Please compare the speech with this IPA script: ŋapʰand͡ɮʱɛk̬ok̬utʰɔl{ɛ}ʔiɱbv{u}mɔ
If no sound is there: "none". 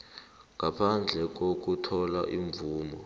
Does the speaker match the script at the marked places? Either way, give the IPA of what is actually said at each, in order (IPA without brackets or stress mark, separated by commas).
a, uː